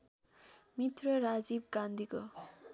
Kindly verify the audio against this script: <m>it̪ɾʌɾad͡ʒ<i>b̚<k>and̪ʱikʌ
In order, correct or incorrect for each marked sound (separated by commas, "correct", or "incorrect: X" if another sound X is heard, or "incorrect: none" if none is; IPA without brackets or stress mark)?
correct, correct, incorrect: ɡ